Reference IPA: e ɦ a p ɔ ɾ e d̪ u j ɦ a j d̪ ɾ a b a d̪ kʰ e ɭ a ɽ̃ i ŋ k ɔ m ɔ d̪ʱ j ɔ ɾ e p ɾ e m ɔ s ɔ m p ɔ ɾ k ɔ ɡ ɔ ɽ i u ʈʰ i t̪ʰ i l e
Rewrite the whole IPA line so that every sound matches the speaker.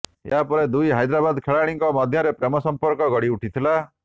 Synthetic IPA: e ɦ a p ɔ ɾ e d̪ u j ɦ a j d̪ ɾ a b a d̪ kʰ e ɭ a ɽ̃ i ŋ k ɔ m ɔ d̪ʱ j ɔ ɾ e p ɾ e m ɔ s ɔ m p ɔ ɾ k ɔ ɡ ɔ ɽ i u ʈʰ i t̪ʰ i l a